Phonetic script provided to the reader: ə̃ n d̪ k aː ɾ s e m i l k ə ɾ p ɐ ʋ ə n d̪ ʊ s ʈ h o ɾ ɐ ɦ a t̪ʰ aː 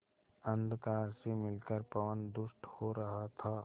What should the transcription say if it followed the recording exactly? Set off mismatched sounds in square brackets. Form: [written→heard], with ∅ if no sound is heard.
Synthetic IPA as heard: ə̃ n d̪ k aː ɾ s e m [i→ɪ] l k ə ɾ p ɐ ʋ ə n d̪ ʊ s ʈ h o ɾ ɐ ɦ a t̪ʰ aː